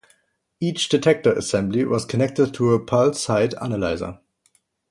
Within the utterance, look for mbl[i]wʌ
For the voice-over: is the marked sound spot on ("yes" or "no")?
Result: yes